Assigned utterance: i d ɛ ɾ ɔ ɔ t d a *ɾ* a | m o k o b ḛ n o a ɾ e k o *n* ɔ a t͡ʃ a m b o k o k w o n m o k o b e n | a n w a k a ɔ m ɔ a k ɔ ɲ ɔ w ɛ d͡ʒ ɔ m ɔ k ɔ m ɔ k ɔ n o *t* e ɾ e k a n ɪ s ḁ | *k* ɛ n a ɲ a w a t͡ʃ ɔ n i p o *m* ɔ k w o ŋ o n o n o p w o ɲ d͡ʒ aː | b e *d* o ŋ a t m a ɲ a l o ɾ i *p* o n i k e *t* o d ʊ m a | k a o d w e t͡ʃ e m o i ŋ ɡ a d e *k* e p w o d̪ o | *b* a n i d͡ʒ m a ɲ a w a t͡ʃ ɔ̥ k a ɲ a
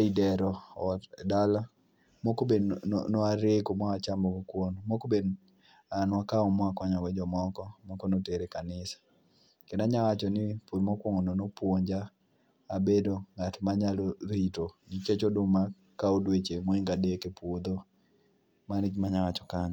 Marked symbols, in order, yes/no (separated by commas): no, no, yes, yes, yes, yes, no, no, yes, no